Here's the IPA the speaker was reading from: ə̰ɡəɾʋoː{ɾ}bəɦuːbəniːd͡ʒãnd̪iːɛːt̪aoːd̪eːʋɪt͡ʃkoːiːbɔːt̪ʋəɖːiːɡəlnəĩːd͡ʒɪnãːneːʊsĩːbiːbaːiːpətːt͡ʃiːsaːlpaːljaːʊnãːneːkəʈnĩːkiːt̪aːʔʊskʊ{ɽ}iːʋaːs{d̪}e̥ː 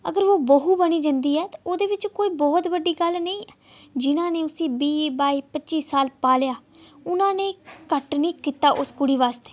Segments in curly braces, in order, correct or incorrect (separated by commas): incorrect, correct, incorrect